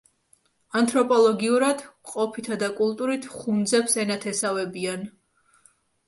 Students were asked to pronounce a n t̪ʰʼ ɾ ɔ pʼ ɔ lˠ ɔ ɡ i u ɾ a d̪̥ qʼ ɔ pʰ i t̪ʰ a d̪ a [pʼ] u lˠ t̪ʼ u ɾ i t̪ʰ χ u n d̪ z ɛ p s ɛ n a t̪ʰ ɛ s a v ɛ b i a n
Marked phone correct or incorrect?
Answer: incorrect